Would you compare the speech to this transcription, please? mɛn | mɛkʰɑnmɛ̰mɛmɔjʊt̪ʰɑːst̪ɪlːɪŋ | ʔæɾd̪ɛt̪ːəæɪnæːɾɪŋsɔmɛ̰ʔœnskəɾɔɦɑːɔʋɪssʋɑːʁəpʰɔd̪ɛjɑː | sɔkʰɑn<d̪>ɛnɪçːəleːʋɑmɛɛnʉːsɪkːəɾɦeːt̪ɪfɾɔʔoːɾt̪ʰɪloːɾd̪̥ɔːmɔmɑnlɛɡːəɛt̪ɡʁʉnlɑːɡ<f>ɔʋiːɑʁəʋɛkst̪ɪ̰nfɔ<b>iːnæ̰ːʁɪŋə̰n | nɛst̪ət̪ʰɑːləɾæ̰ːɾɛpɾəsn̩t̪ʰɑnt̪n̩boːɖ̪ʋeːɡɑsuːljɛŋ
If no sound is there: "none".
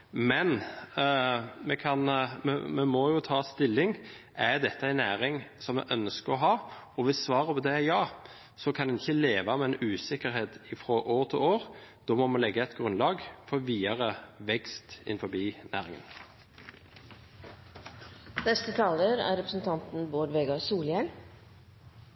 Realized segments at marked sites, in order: d̪, f, b

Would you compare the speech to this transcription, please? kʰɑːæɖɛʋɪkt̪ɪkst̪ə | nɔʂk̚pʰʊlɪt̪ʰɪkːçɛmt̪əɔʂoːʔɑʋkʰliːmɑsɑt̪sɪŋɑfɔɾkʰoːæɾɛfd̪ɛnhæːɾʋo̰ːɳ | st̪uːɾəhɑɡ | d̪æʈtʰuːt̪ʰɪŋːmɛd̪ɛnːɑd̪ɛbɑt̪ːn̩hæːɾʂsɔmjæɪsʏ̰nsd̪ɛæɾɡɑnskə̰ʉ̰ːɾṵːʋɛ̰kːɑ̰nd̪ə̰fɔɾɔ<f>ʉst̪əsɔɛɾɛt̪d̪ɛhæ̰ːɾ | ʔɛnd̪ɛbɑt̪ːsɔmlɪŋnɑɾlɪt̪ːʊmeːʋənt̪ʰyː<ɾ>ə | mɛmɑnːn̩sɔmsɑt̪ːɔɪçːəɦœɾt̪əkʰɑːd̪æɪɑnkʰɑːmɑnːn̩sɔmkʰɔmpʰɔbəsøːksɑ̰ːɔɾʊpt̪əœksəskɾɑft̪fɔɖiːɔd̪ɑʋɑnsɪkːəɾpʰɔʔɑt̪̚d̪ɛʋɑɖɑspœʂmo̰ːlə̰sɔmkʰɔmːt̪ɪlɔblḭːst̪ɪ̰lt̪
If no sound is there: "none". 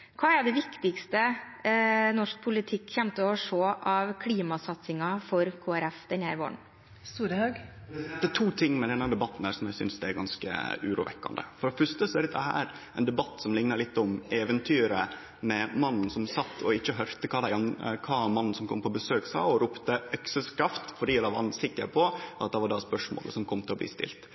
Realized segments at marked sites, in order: f, ɾ

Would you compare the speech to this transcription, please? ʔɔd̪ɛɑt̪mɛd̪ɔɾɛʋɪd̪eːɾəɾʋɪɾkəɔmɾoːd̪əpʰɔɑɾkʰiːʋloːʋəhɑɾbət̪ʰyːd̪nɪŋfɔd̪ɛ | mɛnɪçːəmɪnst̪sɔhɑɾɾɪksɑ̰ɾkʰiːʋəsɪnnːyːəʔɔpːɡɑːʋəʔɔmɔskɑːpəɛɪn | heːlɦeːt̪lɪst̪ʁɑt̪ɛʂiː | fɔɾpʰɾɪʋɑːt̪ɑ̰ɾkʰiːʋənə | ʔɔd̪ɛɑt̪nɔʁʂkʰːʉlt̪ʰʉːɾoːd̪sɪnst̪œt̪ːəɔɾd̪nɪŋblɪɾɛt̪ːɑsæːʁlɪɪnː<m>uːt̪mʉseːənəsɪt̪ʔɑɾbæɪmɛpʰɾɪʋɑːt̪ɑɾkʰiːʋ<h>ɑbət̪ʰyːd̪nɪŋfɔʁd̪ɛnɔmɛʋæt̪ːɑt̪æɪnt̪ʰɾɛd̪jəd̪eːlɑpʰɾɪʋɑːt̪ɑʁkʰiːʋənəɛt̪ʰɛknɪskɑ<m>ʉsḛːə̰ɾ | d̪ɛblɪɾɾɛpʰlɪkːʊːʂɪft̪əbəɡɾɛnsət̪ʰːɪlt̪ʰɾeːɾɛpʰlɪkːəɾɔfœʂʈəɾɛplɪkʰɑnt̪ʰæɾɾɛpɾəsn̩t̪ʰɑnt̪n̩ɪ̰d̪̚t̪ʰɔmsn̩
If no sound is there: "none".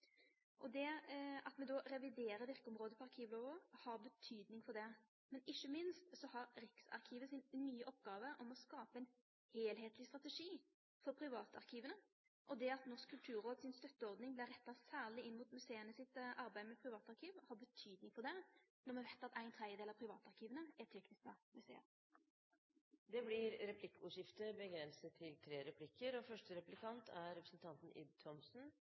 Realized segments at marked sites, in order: m, h, m

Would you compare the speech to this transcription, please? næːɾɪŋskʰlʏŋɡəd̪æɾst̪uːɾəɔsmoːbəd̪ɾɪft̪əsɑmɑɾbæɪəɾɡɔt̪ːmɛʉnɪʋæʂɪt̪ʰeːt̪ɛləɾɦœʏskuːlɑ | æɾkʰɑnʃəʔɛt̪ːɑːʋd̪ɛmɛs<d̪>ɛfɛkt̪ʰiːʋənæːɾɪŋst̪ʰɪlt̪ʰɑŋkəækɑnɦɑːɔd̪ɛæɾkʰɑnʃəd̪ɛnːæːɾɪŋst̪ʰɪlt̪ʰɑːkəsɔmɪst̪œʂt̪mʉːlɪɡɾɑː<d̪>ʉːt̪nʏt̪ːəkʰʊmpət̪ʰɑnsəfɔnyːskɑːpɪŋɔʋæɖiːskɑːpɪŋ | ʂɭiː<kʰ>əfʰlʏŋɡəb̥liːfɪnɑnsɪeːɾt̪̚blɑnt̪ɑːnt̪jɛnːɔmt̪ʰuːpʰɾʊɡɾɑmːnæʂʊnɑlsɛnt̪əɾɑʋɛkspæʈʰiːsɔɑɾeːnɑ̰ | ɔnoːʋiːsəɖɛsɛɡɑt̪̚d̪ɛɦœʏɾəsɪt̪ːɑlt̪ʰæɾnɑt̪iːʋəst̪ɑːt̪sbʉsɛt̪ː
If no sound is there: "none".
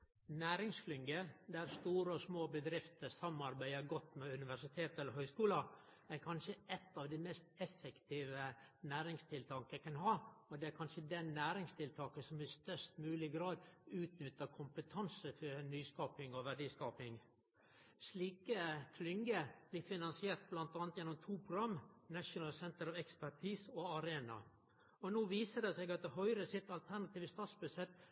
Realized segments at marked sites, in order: t̪, d̪, k

